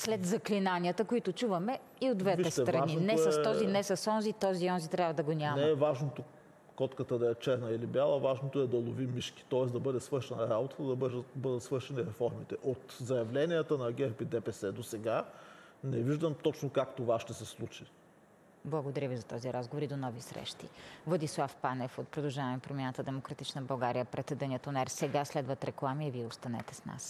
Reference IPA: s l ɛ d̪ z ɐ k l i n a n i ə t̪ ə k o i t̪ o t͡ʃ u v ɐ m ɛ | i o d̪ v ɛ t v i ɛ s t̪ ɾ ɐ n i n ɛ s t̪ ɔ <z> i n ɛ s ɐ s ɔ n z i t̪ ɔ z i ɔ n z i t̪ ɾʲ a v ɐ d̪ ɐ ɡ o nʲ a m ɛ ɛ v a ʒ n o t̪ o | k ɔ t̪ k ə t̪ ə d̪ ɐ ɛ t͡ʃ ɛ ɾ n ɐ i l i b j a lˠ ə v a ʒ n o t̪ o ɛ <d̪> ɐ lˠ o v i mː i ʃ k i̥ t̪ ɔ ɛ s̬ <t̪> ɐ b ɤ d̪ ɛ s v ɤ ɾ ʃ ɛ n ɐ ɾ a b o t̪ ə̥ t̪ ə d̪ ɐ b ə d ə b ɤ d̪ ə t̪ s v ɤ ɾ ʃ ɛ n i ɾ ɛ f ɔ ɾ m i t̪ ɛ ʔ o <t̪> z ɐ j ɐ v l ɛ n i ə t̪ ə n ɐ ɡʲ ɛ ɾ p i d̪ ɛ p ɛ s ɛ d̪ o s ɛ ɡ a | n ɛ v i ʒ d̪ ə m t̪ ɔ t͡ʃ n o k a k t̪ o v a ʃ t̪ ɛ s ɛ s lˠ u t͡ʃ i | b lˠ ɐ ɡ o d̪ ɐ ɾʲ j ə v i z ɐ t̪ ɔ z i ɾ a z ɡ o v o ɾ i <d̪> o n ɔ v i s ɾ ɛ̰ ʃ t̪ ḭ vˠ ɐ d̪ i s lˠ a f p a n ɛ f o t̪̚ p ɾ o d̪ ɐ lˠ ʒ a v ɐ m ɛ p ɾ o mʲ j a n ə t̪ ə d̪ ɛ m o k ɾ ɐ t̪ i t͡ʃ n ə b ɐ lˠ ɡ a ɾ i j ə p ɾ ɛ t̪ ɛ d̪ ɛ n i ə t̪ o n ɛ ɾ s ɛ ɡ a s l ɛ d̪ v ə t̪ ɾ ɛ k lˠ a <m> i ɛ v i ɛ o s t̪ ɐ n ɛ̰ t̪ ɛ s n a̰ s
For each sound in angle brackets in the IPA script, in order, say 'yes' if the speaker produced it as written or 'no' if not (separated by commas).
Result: yes, yes, no, yes, yes, yes